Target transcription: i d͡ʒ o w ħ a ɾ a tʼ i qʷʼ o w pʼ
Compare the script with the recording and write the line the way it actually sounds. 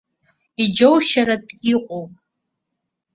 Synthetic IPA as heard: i d͡ʒ o w ʃ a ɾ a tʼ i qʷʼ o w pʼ